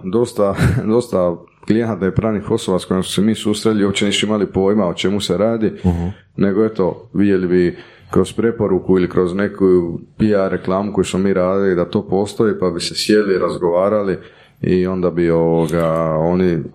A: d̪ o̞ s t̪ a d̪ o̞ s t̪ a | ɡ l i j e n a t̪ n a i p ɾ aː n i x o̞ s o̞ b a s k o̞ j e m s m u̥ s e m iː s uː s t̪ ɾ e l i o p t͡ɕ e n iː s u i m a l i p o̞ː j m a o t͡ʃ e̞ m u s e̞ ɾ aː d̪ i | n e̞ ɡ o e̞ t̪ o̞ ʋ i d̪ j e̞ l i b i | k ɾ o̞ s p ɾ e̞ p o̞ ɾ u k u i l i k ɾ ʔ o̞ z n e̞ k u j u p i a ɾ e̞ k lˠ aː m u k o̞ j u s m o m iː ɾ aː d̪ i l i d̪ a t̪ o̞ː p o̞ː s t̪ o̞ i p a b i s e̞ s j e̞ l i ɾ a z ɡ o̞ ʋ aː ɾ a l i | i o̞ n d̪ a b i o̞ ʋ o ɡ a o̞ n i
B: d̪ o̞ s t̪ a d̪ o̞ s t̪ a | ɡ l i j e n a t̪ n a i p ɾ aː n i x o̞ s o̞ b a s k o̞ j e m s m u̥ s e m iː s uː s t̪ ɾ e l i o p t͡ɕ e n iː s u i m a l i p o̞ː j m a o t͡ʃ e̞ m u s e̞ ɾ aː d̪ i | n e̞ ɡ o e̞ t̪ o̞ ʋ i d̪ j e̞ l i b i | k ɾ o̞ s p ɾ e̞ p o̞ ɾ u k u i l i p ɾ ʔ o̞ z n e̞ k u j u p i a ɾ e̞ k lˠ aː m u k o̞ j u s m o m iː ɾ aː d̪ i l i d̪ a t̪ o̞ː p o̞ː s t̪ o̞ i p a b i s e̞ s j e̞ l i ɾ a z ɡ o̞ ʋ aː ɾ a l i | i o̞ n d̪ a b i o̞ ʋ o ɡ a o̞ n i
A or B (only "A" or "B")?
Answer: A